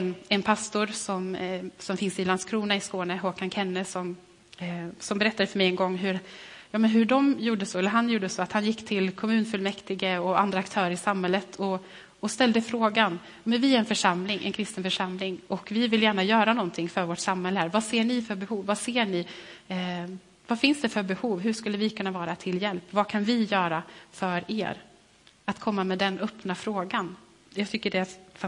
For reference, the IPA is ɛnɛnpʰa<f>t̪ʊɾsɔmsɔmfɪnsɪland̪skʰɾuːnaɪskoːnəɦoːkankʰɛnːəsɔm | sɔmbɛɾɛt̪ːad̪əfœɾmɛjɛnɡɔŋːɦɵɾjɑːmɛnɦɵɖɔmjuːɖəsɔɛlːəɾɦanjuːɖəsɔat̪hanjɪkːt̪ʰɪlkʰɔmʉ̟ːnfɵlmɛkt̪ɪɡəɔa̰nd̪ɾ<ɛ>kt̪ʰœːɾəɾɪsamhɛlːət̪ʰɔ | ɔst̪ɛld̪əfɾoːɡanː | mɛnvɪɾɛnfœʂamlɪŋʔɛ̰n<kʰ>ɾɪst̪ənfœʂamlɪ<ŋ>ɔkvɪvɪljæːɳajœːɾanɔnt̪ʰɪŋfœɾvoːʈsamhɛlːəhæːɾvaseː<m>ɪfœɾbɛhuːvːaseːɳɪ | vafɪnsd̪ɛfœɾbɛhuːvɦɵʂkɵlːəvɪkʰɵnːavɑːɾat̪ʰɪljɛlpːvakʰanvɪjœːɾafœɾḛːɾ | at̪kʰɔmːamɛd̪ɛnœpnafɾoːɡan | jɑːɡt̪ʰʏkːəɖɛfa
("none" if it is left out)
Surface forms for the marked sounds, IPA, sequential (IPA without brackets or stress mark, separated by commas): s, a, kʰ, ŋ, ɳ